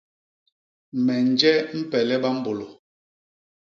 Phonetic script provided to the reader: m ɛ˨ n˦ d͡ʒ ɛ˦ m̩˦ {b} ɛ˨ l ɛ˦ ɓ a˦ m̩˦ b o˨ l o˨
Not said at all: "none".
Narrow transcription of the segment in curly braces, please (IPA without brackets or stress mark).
p